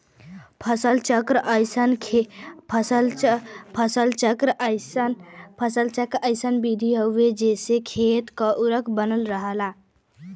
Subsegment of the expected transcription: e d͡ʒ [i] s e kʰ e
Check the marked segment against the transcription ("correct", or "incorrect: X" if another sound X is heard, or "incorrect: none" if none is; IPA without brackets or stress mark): incorrect: e